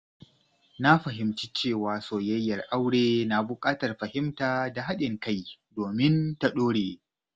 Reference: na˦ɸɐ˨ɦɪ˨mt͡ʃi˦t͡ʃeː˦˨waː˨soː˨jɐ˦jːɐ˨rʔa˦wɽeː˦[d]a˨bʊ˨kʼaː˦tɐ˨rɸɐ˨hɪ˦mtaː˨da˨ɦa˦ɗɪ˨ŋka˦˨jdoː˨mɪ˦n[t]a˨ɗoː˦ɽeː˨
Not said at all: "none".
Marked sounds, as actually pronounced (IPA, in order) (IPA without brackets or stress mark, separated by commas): n, t